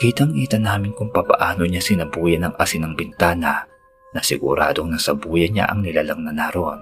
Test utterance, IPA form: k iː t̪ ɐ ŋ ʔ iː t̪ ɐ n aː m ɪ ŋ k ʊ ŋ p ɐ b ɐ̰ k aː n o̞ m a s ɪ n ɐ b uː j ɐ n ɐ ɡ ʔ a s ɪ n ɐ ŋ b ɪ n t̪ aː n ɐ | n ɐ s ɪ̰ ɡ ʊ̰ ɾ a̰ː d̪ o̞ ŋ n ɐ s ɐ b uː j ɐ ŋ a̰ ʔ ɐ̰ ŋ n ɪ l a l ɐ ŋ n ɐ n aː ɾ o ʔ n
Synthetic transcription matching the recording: k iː t̪ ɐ ŋ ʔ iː t̪ ɐ n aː m ɪ n k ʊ ŋ p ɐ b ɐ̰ ʔ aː n o̞ ɲ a s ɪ n ɐ b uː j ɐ n ɐ ŋ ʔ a s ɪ n ɐ ŋ b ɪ n t̪ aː n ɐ | n ɐ s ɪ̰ ɡ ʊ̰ ɾ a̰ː d̪ o̞ ŋ n ɐ s ɐ b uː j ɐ ɲ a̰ ʔ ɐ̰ ŋ n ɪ l a l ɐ ŋ n ɐ n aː ɾ o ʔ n